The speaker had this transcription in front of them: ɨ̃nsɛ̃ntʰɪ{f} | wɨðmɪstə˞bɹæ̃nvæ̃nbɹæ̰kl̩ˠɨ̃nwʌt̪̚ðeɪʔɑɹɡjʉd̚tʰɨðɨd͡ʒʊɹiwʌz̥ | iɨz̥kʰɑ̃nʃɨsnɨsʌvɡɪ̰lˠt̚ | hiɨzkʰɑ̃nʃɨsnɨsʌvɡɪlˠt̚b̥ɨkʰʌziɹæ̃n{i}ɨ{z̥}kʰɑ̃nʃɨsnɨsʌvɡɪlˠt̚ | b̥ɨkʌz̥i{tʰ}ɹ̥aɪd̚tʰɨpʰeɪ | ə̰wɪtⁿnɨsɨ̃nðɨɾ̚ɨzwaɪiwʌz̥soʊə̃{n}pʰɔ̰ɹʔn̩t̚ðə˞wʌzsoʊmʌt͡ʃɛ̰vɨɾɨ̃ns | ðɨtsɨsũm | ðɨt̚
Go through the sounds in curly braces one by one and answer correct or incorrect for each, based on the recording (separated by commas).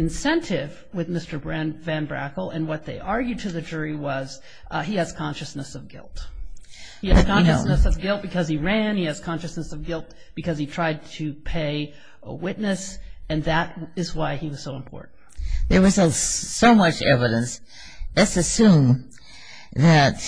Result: incorrect, correct, correct, correct, incorrect